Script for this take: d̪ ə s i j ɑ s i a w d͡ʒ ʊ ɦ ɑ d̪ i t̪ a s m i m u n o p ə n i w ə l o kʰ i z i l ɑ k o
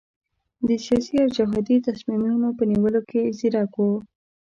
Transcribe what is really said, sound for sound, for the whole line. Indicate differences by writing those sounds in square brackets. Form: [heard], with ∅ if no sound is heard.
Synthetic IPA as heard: d̪ ə s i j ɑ s i a w d͡ʒ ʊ ɦ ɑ d̪ i t̪ a s m i m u n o p ə n i w ə l o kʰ [e] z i [ɾ] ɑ k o